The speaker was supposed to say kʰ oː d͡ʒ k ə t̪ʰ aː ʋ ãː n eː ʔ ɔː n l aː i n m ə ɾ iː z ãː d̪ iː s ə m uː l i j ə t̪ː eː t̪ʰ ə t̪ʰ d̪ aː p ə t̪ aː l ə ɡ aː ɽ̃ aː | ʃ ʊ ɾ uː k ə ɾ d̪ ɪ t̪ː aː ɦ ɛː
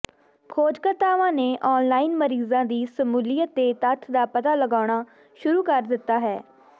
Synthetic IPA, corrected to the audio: kʰ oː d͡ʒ k ə t̪ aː ʋ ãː n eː ʔ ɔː n l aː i n m ə ɾ iː z ãː d̪ iː s ə m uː l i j ə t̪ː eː t̪ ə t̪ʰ d̪ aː p ə t̪ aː l ə ɡ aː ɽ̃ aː | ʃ ʊ ɾ uː k ə ɾ d̪ ɪ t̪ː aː ɦ ɛː